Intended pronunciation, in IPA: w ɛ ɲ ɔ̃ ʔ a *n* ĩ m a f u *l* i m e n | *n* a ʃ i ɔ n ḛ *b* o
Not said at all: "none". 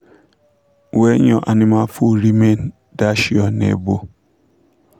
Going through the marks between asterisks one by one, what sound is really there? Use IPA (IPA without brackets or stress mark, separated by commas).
n, ɾ, d, b